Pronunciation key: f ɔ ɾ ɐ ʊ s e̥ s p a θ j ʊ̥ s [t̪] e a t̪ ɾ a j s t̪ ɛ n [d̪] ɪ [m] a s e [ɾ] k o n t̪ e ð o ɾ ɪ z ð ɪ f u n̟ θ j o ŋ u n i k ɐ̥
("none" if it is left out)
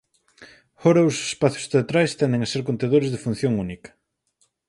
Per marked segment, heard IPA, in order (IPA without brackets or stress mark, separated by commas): t̪, d̪, ŋ, ɾ